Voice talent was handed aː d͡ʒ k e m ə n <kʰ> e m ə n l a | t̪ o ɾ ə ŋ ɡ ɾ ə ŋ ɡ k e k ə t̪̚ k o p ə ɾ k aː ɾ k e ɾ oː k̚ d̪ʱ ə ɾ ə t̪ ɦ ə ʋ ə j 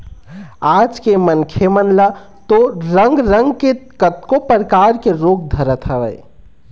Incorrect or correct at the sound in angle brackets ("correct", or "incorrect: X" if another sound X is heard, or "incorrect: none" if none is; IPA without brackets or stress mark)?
correct